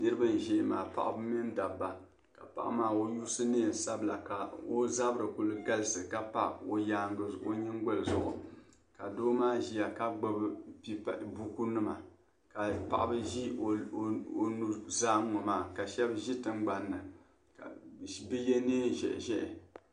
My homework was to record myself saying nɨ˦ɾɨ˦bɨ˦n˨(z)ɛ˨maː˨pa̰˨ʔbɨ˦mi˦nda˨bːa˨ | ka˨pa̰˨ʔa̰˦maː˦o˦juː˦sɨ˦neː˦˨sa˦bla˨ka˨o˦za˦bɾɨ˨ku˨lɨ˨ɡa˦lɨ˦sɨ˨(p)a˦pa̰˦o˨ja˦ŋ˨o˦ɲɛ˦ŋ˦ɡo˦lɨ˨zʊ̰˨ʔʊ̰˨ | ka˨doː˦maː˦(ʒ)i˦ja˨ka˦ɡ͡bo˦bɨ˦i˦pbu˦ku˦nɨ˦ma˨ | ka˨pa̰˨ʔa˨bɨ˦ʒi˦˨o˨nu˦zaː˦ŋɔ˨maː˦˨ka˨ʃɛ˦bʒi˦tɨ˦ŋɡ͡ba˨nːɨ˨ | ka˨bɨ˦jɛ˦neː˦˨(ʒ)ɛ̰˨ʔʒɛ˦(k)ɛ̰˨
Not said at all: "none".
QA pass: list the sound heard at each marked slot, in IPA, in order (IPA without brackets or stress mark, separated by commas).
ʒ, k, ʒ, ʒ, ʔ